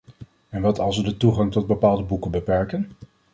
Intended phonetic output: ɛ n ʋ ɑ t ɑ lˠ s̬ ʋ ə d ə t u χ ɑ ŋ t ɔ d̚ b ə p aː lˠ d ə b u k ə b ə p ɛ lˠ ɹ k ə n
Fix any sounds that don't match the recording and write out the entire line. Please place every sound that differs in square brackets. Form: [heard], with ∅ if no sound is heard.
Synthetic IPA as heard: ɛ n ʋ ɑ t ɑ lˠ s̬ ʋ ə d ə t u χ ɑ ŋ t ɔ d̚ b ə p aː lˠ d ə b u k ə b ə p ɛ [∅] ɹ k ə n